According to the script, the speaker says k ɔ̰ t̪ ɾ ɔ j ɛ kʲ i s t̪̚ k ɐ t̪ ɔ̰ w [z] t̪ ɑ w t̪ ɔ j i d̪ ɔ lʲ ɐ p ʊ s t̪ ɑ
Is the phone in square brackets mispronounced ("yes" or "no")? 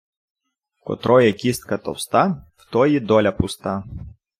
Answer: yes